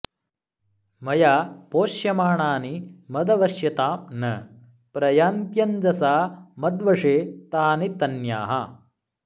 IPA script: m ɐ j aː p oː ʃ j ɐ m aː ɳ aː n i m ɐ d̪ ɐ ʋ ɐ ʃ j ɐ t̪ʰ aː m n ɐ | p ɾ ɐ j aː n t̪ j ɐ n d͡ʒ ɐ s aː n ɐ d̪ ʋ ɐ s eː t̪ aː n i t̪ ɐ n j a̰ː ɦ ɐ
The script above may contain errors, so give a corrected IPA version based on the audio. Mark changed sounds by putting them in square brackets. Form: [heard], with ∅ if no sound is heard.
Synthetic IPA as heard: m ɐ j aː p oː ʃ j ɐ m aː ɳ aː n i m ɐ d̪ ɐ ʋ ɐ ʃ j ɐ [t̪] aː m n ɐ | p ɾ ɐ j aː n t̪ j ɐ n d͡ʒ ɐ s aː [m] ɐ d̪ ʋ ɐ [ʂ] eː t̪ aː n i t̪ ɐ n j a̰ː ɦ ɐ

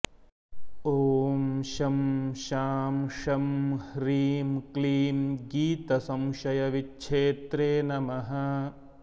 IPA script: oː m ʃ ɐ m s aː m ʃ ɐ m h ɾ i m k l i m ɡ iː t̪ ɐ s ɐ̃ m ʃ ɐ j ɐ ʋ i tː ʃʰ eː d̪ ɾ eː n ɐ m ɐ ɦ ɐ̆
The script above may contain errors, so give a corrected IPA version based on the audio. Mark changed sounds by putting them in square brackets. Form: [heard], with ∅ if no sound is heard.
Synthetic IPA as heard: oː m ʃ ɐ m [ʃ] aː m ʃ ɐ m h ɾ [iː] m k l [iː] m ɡ iː t̪ ɐ s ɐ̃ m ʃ ɐ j ɐ ʋ i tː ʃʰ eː [t̪] ɾ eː n ɐ m ɐ ɦ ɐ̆

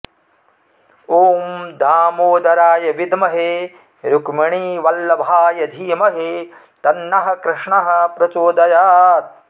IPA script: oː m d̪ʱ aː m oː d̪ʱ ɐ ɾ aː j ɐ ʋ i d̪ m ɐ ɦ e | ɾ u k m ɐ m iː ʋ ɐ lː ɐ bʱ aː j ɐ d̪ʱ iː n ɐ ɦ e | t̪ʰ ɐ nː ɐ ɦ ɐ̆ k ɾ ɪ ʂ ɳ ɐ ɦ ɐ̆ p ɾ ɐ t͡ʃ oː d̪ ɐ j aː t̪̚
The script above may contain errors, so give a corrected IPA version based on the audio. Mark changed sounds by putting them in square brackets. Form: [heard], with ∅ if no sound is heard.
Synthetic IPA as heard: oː m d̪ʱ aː m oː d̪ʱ ɐ ɾ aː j ɐ ʋ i d̪ m ɐ ɦ e | ɾ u k m ɐ [ɳ] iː ʋ ɐ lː ɐ bʱ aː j ɐ d̪ʱ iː [m] ɐ ɦ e | [t̪] ɐ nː ɐ ɦ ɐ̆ k ɾ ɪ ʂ ɳ ɐ ɦ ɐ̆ p ɾ ɐ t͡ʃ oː d̪ ɐ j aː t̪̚

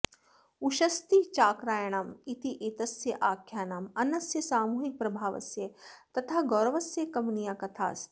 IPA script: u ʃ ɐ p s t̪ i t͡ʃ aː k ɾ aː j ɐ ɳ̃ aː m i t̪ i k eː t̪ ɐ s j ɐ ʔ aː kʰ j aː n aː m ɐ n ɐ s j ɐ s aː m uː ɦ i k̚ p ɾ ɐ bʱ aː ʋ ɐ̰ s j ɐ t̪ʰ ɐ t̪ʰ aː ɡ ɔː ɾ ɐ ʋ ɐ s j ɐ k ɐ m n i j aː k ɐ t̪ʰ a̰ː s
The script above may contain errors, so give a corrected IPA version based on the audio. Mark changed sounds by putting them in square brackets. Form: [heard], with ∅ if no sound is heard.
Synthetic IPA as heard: u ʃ ɐ [∅] s t̪ i t͡ʃ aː k ɾ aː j ɐ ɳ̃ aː m i t̪ i [ʔ] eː t̪ ɐ s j ɐ ʔ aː kʰ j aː n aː m ɐ n ɐ s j ɐ s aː m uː ɦ i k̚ p ɾ ɐ bʱ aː ʋ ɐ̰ s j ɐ [t̪] ɐ t̪ʰ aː ɡ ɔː ɾ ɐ ʋ ɐ s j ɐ k ɐ m n i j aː k ɐ t̪ʰ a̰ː s

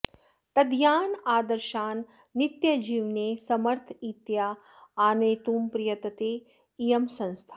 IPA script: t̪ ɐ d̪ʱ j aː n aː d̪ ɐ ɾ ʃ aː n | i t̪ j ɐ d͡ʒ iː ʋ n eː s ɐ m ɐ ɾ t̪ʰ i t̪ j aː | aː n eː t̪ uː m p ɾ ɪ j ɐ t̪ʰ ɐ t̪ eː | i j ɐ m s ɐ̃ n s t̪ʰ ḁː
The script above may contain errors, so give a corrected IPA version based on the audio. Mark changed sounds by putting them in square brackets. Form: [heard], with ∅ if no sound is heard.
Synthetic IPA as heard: t̪ ɐ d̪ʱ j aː n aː d̪ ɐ ɾ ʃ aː [nː] | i t̪ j ɐ d͡ʒ iː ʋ n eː s ɐ m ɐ ɾ t̪ʰ i t̪ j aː | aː n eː t̪ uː m p ɾ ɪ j ɐ [t̪] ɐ t̪ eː | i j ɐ m s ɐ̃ n s t̪ʰ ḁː

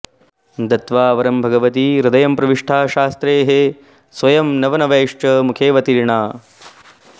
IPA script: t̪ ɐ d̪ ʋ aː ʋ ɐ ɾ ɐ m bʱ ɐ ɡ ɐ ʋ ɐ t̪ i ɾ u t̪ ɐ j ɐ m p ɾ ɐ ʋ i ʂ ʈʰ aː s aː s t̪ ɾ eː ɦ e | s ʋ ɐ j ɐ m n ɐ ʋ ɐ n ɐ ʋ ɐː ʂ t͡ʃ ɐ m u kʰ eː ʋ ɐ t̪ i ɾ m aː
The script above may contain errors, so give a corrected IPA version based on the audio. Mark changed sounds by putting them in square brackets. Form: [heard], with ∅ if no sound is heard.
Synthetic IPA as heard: [d̪] ɐ [t̪] ʋ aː ʋ ɐ ɾ ɐ m bʱ ɐ ɡ ɐ ʋ ɐ t̪ i ɾ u [d̪] ɐ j ɐ m p ɾ ɐ ʋ i ʂ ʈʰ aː [ʃ] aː s t̪ ɾ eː ɦ e | s ʋ ɐ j ɐ m n ɐ ʋ ɐ n ɐ ʋ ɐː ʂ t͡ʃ ɐ m u kʰ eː ʋ ɐ t̪ i ɾ [ɳ] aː

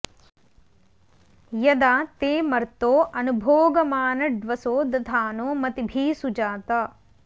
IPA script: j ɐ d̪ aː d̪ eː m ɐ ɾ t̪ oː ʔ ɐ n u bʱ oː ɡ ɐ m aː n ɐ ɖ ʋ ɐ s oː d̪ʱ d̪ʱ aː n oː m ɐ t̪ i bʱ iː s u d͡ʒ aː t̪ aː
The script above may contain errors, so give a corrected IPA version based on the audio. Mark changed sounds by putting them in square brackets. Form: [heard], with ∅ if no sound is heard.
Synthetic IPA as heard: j ɐ d̪ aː [t̪] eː m ɐ ɾ t̪ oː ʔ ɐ n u bʱ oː ɡ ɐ m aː n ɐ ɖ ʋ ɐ s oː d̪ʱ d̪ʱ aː n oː m ɐ t̪ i bʱ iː s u d͡ʒ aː t̪ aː

